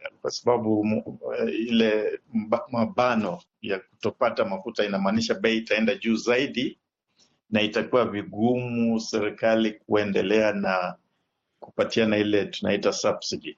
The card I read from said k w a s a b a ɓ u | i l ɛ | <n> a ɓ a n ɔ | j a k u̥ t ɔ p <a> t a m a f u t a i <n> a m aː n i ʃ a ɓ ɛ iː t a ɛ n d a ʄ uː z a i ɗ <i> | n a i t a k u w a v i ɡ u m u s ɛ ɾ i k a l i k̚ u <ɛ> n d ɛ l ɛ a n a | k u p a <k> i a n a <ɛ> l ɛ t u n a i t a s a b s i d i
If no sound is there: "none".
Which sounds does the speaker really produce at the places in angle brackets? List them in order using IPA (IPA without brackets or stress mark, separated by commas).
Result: m, a, n, i, ɛ, t, i